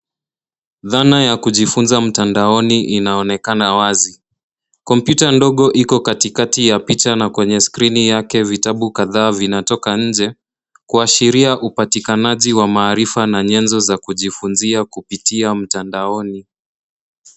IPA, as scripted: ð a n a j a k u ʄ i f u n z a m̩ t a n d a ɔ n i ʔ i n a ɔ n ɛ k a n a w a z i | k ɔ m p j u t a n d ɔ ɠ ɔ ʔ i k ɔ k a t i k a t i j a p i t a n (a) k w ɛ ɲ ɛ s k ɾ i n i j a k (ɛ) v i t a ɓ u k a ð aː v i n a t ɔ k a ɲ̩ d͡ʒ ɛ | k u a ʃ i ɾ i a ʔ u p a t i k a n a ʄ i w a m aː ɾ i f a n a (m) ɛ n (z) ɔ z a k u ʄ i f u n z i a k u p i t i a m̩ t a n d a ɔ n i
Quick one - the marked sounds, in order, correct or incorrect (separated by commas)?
correct, correct, incorrect, correct